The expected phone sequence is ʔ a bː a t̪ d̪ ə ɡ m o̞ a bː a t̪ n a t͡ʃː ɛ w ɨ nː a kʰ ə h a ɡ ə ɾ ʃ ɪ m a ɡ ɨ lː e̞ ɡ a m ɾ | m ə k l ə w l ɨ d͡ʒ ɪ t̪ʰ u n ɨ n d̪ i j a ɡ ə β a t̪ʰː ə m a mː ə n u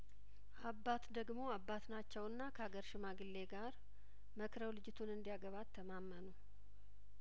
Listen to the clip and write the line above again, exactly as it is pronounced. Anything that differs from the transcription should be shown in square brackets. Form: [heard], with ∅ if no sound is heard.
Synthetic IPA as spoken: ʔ a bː a t̪ d̪ ə ɡ m o̞ a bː a t̪ n a t͡ʃː ɛ w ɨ nː a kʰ ə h a ɡ ə ɾ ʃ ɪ m a ɡ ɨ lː e̞ ɡ a [∅] ɾ | m ə k [ɾ] ə w l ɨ d͡ʒ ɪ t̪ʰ u n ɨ n d̪ i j a ɡ ə β a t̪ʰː ə m a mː ə n u